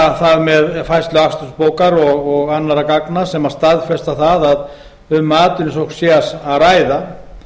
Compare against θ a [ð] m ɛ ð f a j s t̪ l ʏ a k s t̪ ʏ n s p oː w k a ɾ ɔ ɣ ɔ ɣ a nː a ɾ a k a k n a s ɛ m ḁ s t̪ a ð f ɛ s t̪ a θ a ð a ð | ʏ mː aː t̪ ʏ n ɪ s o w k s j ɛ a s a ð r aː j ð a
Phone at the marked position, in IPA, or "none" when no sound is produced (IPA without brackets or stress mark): ð